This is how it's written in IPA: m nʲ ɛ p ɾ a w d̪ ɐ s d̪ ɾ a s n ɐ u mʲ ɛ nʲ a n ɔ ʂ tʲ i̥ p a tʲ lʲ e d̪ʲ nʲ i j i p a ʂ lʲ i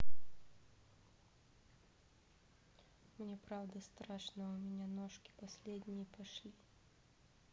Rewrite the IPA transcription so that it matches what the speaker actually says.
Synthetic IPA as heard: m nʲ ɛ p ɾ a w d̪ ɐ s t̪ ɾ a ʂ n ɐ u mʲ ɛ nʲ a n ɔ ʂ kʲ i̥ p a sʲ lʲ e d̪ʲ nʲ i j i p a ʂ lʲ i